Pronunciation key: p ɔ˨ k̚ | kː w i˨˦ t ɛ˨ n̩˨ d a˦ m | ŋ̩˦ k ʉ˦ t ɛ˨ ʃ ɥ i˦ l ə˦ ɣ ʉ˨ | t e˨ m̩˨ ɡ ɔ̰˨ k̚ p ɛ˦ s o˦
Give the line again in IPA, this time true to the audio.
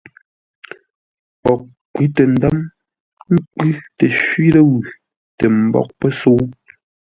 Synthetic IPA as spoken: p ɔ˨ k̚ | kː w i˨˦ t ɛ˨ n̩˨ d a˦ m | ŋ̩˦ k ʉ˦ t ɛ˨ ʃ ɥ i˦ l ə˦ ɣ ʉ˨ | t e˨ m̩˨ b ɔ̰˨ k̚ p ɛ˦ s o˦